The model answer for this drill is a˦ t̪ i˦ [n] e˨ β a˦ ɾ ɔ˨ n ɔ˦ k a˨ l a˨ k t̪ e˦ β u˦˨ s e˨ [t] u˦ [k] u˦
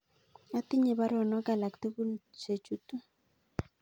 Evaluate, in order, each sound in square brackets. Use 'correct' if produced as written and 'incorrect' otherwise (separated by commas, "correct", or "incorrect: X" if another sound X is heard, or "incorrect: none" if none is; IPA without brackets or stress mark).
incorrect: ɲ, incorrect: t͡ʃ, incorrect: t